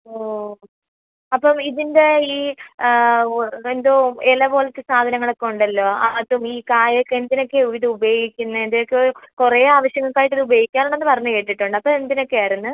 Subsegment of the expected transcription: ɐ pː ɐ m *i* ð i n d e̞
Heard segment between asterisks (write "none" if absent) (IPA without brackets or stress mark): i